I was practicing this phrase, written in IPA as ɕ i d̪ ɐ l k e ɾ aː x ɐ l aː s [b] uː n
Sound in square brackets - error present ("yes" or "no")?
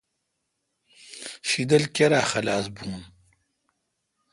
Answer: no